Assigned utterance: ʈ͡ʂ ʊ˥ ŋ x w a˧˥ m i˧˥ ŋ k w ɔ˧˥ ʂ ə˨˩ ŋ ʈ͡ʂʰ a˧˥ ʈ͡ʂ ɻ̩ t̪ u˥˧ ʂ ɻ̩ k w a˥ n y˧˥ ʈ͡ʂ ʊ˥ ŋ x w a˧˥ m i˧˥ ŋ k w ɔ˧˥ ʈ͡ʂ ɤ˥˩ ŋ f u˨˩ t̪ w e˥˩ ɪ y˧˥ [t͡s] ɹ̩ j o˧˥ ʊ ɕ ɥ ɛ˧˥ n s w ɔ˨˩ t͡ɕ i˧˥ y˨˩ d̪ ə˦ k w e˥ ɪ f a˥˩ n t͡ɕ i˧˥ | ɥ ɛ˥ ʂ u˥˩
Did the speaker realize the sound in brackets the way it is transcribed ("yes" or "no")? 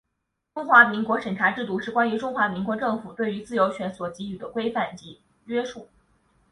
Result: yes